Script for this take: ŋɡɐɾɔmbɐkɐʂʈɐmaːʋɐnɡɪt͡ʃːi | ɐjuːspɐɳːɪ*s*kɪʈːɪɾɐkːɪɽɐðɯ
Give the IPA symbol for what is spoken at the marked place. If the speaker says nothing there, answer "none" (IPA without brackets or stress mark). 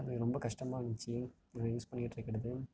none